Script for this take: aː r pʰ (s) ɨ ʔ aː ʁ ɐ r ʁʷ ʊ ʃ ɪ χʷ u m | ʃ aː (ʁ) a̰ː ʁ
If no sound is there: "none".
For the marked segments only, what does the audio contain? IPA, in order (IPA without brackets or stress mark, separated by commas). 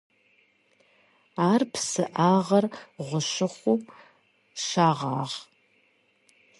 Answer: s, ʁ